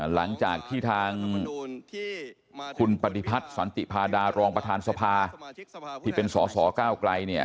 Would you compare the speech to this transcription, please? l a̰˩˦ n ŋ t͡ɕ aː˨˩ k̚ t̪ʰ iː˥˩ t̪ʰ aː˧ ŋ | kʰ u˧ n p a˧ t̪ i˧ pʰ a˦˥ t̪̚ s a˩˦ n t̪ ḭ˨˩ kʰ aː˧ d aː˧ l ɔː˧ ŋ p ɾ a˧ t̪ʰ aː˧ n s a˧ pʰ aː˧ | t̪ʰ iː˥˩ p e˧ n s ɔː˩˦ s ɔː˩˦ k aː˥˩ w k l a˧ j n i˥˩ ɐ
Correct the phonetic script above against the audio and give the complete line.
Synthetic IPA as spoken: l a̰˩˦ ŋ t͡ɕ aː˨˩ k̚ t̪ʰ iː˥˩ t̪ʰ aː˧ ŋ | kʰ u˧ n p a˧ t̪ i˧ pʰ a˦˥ t̪̚ s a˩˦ n t̪ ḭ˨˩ pʰ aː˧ d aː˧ ɾ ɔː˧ ŋ p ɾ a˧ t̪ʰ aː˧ n s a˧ pʰ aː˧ | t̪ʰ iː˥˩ p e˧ n s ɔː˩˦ s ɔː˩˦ k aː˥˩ w k l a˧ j n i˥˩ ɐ